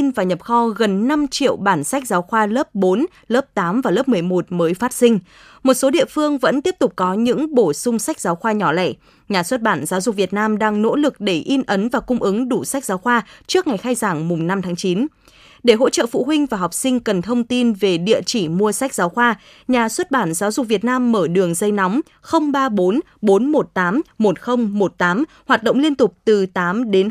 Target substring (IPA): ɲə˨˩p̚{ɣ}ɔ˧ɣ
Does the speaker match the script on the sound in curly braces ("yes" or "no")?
no